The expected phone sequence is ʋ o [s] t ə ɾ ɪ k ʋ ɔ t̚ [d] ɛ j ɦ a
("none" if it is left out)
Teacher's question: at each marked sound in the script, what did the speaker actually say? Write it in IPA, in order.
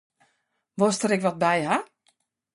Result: s, b

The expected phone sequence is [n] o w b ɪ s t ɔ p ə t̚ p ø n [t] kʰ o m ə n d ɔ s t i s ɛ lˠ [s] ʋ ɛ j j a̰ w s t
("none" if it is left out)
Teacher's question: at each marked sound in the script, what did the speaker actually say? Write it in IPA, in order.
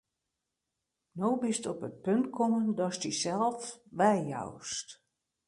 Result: n, t, f

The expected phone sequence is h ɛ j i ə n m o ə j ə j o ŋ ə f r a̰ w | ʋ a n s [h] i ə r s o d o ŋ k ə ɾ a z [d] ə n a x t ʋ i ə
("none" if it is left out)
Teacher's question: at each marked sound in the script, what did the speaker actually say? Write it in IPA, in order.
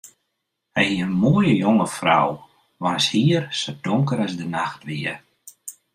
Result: h, d

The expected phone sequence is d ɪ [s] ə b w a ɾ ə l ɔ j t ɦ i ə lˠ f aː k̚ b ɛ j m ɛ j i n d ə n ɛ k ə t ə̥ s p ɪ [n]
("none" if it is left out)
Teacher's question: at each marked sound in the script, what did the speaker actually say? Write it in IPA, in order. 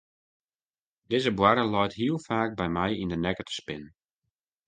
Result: z, n

